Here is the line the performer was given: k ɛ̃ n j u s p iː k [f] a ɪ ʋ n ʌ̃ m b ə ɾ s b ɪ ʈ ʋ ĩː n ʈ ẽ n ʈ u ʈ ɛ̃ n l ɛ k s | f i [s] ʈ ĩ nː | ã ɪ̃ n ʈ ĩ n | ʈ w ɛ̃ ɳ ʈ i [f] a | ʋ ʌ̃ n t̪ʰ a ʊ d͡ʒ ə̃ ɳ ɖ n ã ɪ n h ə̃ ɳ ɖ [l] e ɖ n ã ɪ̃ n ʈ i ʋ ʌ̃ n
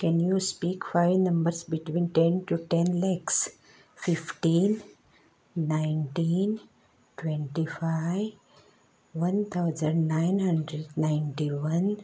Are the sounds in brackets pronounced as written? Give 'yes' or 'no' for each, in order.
yes, no, yes, no

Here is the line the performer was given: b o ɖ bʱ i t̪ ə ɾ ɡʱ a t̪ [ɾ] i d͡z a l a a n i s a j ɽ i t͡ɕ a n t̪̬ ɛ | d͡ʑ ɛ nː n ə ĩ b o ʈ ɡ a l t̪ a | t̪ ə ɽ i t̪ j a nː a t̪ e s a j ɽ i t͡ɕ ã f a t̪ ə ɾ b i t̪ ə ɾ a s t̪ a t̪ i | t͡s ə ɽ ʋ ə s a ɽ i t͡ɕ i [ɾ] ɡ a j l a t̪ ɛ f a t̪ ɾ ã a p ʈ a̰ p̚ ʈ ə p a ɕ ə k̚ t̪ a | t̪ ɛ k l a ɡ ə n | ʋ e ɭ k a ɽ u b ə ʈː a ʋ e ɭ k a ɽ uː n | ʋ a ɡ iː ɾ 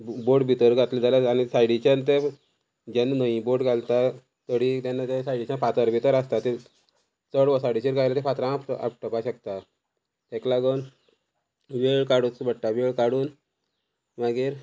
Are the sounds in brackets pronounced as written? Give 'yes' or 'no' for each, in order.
no, yes

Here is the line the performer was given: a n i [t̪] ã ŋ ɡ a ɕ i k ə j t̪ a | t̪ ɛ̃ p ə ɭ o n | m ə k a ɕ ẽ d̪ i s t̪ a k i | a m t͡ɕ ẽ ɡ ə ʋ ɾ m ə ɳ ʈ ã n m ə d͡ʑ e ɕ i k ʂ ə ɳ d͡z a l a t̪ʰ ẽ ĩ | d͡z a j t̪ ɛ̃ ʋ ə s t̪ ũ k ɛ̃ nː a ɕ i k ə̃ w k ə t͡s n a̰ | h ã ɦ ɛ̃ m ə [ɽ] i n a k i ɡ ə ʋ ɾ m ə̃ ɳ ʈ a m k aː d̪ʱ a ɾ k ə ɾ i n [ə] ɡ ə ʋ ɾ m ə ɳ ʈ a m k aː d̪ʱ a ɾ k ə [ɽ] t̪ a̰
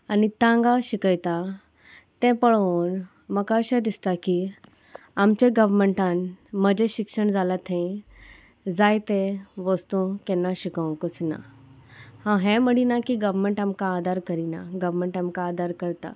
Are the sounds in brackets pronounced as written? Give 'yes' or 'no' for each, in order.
yes, yes, no, no

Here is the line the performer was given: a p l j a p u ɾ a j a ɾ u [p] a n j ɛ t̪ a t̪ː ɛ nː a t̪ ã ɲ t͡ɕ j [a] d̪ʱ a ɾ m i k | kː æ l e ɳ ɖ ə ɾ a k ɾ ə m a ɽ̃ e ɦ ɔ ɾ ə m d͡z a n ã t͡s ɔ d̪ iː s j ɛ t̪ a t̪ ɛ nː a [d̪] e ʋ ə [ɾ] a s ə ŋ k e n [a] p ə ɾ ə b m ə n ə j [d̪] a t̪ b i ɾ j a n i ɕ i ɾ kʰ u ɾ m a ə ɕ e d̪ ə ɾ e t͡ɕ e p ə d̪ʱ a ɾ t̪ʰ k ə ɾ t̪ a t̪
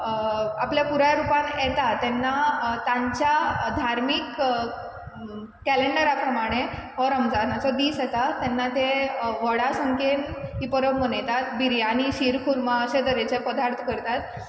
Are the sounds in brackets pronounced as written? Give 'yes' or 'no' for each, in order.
yes, yes, no, no, no, no

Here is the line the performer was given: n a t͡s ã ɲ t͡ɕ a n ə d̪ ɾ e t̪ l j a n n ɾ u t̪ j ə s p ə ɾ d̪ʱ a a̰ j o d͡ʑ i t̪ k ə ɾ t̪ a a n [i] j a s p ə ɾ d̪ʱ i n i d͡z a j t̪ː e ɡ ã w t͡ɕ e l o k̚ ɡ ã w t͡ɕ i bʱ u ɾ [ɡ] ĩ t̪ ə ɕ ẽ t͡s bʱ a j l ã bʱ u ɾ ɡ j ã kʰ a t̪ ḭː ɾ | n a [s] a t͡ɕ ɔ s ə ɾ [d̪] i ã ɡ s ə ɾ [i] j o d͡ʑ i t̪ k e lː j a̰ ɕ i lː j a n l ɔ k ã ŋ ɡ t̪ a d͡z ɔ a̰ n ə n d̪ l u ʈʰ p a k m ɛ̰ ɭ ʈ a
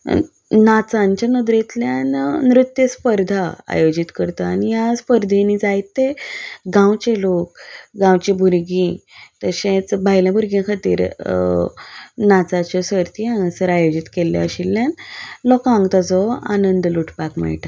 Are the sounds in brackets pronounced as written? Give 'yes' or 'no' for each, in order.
yes, yes, no, no, no

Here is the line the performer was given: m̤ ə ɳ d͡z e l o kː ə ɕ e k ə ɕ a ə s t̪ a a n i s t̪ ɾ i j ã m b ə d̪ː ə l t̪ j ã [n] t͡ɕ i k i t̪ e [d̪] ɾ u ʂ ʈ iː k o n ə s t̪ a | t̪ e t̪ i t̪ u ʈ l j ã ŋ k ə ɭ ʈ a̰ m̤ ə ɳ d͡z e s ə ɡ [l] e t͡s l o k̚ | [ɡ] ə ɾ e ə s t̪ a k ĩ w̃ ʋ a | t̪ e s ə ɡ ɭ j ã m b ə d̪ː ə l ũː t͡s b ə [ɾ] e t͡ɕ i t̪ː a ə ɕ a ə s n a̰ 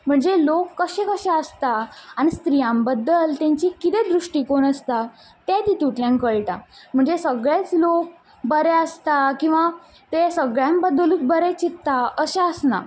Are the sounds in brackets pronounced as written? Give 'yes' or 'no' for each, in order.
no, yes, no, no, yes

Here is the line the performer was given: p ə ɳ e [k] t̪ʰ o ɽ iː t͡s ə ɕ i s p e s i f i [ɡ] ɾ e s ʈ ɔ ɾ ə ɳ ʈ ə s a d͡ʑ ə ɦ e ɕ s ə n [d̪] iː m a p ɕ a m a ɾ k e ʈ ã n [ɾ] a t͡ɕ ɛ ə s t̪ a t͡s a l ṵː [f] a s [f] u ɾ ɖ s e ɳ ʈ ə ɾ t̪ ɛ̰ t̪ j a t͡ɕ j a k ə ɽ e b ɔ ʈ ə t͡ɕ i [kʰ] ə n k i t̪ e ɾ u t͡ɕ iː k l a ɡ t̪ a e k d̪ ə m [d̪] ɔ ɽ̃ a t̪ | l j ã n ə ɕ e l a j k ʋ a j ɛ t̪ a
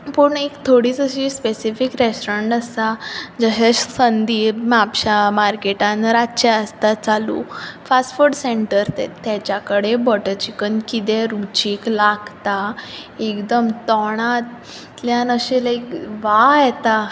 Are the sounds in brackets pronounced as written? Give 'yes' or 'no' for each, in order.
yes, no, yes, yes, yes, yes, no, no

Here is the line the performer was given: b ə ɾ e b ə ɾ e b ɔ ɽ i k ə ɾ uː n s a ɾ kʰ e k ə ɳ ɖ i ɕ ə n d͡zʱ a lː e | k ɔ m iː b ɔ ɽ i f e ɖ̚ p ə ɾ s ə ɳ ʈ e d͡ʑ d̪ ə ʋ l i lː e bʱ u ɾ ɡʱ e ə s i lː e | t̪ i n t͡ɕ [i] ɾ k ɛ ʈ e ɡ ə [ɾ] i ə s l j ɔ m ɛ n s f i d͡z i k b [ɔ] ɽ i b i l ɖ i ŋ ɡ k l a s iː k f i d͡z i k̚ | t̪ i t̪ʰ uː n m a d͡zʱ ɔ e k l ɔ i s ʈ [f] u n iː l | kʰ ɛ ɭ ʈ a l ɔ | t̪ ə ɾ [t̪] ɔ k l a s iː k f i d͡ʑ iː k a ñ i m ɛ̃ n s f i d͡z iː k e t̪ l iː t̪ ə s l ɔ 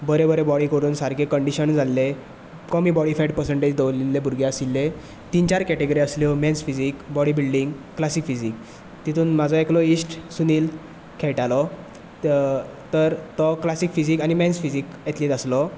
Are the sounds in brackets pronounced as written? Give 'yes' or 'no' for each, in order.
no, yes, yes, no, yes

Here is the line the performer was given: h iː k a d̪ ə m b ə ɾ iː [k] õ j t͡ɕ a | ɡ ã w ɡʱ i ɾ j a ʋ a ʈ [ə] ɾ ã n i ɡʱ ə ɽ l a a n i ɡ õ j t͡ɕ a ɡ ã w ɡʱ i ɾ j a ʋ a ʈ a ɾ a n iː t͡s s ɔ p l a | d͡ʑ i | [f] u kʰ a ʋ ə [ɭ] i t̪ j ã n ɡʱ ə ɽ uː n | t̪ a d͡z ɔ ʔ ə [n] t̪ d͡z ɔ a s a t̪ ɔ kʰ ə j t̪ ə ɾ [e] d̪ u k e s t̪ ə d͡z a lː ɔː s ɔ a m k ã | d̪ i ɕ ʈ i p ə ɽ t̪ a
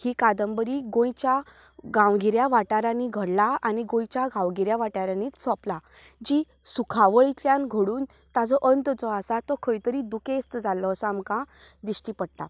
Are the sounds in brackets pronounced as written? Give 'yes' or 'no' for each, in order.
no, no, no, yes, yes, no

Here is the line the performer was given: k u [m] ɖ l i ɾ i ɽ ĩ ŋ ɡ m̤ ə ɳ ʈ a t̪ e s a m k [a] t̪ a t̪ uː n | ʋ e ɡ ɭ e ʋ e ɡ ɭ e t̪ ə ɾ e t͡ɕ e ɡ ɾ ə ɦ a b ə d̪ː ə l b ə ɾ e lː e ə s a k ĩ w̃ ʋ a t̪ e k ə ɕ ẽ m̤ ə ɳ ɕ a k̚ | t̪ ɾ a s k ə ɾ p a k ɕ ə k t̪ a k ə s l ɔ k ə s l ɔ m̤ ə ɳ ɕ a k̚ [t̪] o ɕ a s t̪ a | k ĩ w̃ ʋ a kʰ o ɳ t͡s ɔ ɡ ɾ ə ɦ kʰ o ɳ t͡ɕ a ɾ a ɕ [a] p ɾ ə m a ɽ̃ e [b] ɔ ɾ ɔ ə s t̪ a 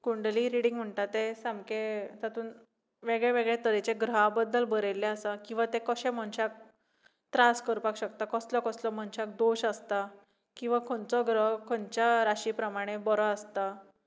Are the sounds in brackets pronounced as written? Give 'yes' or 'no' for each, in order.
no, no, no, no, yes

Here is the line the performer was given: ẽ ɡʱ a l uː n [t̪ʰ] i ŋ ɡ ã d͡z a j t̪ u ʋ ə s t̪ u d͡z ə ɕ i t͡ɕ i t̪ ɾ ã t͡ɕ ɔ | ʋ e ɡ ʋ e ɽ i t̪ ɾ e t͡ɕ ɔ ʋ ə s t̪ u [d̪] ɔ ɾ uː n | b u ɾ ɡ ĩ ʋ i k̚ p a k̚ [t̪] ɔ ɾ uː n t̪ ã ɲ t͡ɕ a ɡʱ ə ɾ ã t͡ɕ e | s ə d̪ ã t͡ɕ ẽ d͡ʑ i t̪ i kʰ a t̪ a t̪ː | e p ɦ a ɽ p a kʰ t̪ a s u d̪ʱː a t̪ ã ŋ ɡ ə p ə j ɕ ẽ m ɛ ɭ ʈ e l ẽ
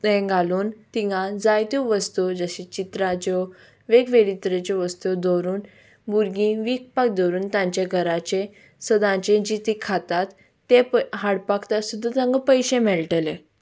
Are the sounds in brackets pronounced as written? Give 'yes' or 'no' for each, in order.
no, yes, no

